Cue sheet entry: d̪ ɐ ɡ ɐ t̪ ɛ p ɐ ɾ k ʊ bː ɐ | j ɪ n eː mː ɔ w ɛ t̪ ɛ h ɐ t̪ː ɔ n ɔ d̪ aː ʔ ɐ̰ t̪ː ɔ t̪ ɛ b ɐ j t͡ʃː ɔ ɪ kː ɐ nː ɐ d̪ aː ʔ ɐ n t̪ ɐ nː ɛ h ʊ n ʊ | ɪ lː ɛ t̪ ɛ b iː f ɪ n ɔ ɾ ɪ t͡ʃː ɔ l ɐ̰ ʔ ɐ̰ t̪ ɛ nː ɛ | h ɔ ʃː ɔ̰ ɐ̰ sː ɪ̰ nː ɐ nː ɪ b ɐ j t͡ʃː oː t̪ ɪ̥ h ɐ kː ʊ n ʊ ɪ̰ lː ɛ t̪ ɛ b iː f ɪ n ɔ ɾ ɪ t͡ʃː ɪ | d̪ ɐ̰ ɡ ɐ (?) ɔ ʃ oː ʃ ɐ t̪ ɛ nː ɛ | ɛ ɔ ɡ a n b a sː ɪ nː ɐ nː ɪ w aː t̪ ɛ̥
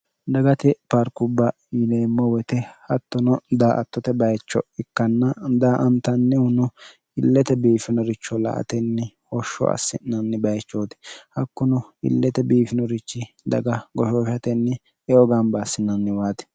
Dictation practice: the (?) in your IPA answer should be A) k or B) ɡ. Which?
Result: B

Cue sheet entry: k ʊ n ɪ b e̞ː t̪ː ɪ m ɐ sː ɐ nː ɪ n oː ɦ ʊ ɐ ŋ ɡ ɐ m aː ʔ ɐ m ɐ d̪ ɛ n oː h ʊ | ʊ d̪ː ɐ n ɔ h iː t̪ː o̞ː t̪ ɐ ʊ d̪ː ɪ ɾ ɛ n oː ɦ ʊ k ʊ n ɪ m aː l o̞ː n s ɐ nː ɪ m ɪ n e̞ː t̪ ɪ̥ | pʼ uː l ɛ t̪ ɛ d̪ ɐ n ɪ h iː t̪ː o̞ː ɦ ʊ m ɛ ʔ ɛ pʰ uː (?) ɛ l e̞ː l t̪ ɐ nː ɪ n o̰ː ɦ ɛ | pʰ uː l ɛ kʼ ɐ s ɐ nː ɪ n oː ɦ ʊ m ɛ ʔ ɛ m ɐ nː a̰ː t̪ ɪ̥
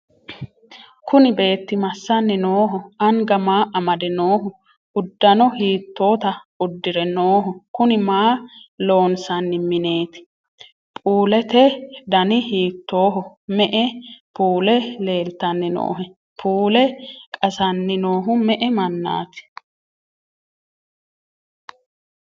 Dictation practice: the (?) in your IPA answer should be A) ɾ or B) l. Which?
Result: B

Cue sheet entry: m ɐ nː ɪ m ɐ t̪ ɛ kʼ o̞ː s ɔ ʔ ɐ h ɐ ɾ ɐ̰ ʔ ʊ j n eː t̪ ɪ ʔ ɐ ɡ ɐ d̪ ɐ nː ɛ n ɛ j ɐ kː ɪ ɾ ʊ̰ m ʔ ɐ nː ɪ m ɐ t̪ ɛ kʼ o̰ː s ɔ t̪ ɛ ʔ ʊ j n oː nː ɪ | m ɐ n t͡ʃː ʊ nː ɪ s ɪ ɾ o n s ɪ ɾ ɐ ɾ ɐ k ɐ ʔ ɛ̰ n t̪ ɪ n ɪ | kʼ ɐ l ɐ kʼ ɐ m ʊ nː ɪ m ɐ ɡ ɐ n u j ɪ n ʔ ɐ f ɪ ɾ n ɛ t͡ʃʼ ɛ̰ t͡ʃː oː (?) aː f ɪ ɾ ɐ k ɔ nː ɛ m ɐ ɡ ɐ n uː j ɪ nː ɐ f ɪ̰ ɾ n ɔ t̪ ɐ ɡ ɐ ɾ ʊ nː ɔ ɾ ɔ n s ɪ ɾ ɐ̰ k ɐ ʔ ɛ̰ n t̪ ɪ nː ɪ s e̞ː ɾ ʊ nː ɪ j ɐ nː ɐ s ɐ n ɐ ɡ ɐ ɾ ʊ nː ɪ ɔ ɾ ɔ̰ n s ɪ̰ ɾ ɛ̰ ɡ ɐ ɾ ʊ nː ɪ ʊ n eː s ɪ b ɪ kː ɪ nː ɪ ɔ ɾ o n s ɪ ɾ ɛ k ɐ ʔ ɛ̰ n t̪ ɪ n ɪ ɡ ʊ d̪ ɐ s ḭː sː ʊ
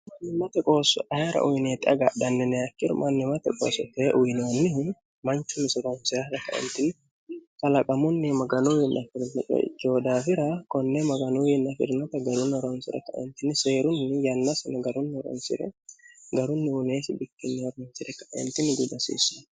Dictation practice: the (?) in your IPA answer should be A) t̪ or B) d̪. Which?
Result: B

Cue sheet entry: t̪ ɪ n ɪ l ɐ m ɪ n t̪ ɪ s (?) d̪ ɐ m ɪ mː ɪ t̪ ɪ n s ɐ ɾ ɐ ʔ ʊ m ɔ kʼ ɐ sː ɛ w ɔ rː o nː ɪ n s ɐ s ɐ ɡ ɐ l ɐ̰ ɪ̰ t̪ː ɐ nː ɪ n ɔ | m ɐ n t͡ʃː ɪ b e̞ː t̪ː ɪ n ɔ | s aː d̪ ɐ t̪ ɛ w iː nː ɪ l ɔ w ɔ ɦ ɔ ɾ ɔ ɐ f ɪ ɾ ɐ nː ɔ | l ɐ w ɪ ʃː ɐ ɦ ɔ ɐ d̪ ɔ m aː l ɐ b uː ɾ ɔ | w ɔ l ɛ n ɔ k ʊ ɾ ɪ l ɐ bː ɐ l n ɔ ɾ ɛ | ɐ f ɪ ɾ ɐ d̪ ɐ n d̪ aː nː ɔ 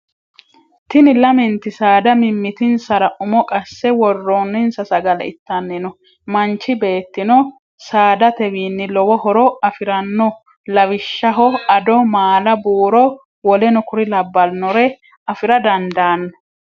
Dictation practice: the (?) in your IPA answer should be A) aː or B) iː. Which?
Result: A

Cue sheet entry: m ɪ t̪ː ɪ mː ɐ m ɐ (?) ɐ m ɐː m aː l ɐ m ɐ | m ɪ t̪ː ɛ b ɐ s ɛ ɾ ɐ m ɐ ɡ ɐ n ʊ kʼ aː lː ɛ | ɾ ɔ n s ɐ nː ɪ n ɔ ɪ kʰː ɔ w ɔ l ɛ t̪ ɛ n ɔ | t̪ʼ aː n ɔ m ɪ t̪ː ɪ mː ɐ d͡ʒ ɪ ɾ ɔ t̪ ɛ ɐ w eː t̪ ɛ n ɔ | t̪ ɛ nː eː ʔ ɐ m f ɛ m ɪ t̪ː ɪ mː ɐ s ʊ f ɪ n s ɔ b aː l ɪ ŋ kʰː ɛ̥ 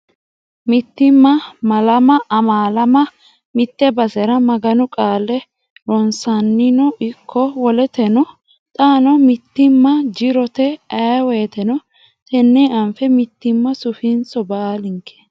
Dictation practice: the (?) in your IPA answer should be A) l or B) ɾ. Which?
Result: A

